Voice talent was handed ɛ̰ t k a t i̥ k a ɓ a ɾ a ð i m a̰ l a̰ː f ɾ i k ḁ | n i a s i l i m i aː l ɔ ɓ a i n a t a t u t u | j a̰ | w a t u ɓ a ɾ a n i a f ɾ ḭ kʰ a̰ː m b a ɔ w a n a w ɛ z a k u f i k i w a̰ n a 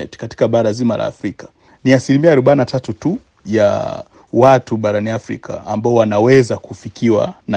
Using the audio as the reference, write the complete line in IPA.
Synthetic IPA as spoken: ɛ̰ t k a t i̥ k a ɓ a ɾ a z i m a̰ l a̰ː f ɾ i k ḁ | n i a s i l i m i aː ɾ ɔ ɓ a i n a t a t u t u | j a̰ | w a t u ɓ a ɾ a n i a f ɾ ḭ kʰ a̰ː m b a ɔ w a n a w ɛ z a k u f i k i w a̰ n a